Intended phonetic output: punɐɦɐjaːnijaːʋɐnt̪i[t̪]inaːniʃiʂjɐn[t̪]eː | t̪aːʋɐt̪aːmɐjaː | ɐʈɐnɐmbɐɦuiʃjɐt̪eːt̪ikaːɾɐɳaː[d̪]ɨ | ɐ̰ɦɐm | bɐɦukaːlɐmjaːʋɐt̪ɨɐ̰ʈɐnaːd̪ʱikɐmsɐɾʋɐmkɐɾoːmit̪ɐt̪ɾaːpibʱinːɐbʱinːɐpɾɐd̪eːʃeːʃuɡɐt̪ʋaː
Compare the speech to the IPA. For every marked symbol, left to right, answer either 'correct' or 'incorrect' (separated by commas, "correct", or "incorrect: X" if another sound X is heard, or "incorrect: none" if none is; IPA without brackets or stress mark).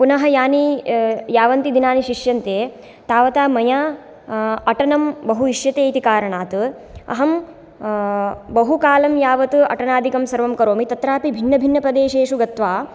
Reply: incorrect: d̪, correct, incorrect: t̪